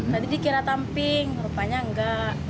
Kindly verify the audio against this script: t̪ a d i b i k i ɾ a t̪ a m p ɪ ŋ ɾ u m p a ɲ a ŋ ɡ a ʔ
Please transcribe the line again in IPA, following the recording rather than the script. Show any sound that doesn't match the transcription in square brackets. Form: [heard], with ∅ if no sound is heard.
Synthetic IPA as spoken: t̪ a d i [d] i k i ɾ a t̪ a m p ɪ ŋ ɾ u [∅] p a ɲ a ŋ ɡ a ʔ